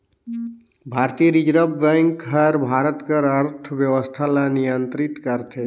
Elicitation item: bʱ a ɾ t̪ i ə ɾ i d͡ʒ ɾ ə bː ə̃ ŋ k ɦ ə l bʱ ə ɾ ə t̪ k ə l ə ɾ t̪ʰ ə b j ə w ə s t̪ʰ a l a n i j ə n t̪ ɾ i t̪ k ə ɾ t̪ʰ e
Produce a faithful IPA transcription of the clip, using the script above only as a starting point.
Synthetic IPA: bʱ a ɾ t̪ i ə ɾ i d͡ʒ ɾ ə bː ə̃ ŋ k ɦ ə ɾ bʱ a ɾ ə t̪ k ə ɾ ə ɾ t̪ʰ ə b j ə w ə s t̪ʰ a l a n i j ə n t̪ ɾ i t̪ k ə ɾ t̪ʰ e